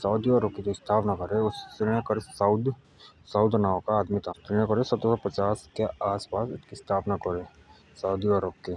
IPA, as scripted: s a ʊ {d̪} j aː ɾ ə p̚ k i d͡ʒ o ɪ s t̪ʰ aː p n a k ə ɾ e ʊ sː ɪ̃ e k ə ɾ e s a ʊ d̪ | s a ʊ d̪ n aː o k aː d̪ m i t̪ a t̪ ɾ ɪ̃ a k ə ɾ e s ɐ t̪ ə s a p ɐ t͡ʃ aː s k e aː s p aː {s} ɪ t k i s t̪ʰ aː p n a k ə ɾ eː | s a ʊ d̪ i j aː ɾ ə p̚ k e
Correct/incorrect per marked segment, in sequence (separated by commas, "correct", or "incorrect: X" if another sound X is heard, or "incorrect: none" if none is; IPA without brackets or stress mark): correct, correct